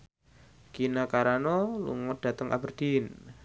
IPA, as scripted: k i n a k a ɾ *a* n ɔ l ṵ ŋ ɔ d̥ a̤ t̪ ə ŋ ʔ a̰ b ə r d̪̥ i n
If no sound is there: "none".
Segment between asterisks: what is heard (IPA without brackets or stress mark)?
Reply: a